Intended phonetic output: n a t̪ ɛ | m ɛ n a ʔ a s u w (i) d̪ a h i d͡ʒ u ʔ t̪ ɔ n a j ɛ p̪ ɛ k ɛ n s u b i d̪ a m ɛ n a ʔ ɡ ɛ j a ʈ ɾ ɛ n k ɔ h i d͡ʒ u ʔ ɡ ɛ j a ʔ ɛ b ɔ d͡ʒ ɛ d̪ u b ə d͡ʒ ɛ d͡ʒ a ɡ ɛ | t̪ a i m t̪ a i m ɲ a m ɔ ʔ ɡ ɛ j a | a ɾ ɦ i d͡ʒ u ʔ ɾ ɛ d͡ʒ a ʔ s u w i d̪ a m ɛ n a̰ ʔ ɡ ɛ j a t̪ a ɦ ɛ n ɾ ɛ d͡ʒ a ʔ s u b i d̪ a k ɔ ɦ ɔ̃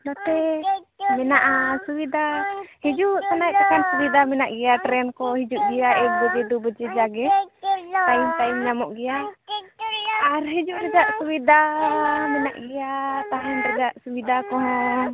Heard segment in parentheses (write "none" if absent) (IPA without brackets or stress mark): i